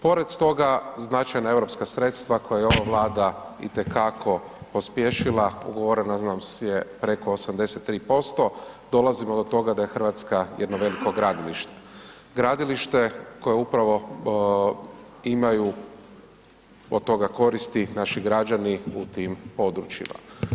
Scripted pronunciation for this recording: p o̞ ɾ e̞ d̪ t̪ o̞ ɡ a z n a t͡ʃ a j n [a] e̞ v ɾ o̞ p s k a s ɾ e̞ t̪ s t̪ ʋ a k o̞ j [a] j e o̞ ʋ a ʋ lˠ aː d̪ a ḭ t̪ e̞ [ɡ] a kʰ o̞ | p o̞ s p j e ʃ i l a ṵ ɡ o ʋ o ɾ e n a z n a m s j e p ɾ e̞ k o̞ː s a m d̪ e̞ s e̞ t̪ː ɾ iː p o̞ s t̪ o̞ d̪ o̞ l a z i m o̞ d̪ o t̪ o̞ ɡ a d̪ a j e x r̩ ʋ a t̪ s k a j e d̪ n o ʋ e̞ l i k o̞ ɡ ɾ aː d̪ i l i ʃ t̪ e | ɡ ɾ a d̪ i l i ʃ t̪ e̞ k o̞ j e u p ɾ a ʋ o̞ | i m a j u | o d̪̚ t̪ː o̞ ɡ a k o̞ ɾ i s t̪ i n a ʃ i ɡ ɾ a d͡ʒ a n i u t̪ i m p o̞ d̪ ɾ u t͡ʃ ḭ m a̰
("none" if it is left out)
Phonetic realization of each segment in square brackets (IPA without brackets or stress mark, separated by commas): a, a, k